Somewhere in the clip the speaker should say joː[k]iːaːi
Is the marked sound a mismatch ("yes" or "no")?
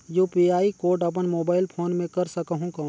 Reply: yes